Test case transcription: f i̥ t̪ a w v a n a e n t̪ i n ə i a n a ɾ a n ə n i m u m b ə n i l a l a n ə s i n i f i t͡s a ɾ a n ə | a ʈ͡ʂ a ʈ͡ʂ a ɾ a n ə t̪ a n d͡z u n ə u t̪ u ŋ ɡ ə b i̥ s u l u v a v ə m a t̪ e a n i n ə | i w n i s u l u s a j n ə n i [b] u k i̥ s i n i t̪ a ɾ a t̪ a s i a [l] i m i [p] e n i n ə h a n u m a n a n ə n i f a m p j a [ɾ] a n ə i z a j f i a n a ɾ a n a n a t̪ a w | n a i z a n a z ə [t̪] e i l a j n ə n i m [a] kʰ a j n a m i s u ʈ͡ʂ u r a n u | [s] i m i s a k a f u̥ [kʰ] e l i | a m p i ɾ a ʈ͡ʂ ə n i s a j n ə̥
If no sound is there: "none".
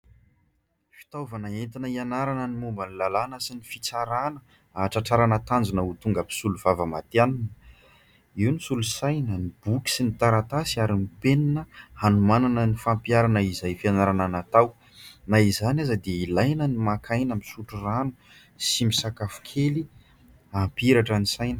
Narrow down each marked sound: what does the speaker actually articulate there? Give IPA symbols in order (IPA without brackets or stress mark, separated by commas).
b, ɾ, p, ɾ, d̪, a, s, kʰ